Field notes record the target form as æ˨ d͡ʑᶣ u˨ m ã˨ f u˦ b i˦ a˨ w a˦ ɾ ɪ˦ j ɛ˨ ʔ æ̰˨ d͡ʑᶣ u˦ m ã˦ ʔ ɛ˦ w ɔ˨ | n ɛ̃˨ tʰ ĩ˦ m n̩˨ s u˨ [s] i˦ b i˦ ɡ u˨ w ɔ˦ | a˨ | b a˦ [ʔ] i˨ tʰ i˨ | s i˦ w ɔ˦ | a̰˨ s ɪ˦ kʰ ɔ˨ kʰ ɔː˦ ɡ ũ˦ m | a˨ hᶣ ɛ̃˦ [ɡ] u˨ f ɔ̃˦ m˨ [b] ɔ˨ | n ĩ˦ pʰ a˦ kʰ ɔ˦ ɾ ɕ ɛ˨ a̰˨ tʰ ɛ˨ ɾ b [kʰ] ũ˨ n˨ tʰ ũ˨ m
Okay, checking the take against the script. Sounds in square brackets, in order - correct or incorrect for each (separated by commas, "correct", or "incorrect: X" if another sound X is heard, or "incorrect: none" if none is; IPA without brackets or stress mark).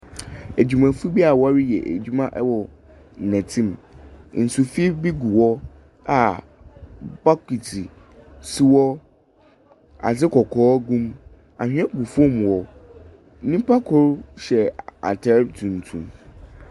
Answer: incorrect: f, incorrect: k, correct, incorrect: w, incorrect: tʰ